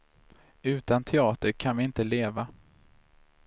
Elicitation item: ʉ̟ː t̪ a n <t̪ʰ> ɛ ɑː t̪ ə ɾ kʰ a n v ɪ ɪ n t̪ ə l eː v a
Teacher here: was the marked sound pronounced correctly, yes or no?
yes